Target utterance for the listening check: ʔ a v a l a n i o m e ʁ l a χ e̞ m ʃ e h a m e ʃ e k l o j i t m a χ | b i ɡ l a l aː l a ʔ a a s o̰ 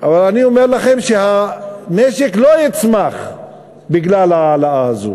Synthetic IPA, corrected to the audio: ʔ a v a l a n i o m e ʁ l a χ e̞ m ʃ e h a m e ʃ e k l o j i t͡s m a χ | b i ɡ l a l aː l a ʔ a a z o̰